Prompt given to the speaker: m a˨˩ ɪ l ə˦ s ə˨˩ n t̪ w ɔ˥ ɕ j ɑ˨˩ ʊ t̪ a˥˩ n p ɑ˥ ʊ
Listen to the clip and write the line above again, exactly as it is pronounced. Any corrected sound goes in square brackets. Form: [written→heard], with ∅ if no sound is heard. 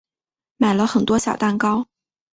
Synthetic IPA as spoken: m a˨˩ ɪ l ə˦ [s→x] ə˨˩ n t̪ w ɔ˥ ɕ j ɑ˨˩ ʊ t̪ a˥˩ n [p→k] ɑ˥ ʊ